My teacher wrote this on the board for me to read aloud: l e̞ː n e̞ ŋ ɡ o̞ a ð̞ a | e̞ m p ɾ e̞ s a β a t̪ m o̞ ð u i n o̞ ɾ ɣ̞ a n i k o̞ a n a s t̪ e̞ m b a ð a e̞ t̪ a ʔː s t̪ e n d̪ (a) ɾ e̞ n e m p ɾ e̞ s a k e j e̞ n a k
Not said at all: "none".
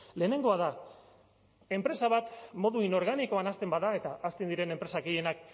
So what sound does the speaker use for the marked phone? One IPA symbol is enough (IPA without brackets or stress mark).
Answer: i